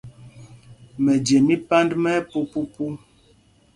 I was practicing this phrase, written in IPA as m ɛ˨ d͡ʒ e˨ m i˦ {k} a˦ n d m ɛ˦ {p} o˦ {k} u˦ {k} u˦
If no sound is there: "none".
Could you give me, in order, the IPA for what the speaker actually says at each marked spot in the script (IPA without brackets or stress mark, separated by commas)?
p, p, p, p